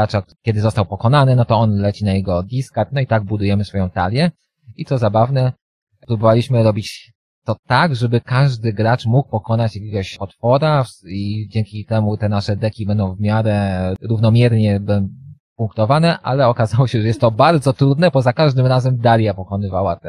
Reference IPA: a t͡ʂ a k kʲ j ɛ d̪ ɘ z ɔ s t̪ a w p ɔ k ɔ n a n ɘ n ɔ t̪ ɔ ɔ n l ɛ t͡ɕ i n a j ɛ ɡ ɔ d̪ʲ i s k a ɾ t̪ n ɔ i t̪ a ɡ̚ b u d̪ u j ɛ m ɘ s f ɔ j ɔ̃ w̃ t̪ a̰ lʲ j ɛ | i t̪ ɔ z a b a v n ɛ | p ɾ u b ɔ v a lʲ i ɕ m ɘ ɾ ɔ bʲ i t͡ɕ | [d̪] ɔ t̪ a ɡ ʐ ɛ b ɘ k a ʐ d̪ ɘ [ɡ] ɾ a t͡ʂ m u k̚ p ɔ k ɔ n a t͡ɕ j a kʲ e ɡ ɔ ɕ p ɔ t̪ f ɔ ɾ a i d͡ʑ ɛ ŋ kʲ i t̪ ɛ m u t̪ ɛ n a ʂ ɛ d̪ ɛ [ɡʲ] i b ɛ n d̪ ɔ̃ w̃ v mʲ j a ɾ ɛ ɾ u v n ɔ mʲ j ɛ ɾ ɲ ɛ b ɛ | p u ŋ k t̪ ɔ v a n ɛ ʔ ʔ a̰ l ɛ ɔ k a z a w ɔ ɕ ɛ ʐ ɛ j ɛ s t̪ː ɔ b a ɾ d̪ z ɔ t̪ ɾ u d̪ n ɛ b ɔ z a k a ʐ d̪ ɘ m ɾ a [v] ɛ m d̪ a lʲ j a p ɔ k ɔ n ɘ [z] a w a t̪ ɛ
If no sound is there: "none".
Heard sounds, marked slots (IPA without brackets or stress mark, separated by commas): t̪, ɡ, kʲ, z, v